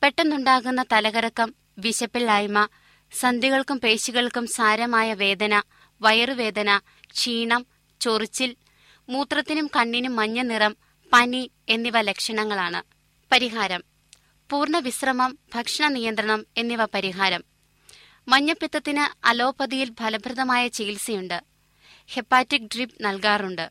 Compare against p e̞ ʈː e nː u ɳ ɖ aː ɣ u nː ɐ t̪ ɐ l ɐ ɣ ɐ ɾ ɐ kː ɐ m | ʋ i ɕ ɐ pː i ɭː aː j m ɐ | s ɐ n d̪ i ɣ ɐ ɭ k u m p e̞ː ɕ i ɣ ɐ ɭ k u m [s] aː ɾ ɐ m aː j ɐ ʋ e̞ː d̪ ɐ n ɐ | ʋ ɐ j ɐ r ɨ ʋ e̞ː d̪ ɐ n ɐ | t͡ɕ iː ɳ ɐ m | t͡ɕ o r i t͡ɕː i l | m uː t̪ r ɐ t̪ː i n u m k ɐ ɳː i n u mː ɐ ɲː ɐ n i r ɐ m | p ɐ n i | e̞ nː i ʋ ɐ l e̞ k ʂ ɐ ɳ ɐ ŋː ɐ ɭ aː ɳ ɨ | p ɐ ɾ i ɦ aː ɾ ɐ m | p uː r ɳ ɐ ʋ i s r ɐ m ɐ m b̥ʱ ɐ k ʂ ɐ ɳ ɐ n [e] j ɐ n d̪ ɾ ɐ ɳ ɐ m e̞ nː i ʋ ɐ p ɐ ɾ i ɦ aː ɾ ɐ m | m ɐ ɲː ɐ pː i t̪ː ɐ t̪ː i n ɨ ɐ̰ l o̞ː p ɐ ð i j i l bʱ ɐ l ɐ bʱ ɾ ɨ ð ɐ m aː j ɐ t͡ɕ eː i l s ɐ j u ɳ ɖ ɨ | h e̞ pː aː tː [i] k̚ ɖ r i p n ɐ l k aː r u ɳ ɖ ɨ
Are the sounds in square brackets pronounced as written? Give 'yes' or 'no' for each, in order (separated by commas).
yes, no, yes